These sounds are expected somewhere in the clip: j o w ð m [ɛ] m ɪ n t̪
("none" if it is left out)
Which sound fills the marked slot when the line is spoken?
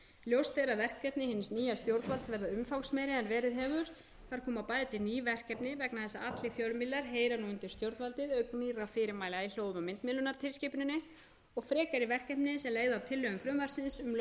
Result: a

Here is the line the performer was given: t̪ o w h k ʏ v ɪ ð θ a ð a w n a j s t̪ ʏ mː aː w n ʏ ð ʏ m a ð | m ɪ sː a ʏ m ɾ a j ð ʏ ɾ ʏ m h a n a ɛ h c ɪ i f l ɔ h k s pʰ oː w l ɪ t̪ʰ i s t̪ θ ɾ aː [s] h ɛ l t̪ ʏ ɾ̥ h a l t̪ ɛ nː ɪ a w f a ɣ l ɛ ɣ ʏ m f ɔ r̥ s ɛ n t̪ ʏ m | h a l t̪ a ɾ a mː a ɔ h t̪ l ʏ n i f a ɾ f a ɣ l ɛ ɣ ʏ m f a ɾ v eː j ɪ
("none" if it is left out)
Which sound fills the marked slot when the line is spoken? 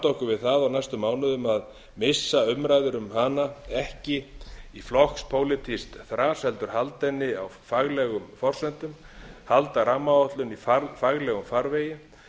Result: s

